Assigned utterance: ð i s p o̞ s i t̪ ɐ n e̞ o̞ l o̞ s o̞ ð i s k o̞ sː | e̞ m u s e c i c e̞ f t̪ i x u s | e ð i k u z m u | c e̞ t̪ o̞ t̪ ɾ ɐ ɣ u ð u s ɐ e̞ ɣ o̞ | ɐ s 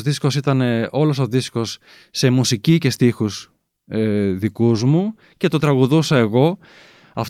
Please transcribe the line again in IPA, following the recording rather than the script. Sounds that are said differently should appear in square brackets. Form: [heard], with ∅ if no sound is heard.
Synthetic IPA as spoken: ð i s [k] o̞ s i t̪ ɐ n e̞ o̞ l o̞ s o̞ ð i s k o̞ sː | e̞ m u s [i] c i c e̞ [s] t̪ i x u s | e ð i k u z m u | c e̞ t̪ o̞ t̪ ɾ ɐ ɣ u ð u s ɐ e̞ ɣ o̞ | ɐ [f]